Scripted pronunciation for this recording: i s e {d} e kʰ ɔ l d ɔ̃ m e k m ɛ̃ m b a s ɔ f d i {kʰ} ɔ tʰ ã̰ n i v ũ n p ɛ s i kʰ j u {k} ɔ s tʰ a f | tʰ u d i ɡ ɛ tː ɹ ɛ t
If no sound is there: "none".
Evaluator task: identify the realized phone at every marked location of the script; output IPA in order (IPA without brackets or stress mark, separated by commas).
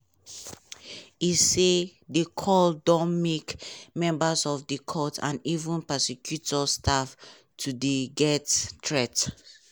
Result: d, kʰ, t